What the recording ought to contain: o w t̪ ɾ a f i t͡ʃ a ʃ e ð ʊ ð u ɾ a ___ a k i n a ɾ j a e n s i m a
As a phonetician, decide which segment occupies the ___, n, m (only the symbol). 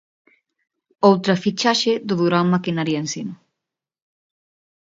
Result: m